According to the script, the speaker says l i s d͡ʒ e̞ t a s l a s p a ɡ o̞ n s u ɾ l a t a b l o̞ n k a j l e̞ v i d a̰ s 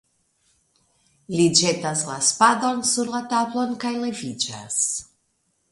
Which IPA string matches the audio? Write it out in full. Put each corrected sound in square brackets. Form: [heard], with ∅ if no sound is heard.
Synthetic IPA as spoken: l i [∅] d͡ʒ e̞ t a s l a s p a [d] o̞ n s u ɾ l a t a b l o̞ n k a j l e̞ v i [d͡ʒ] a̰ s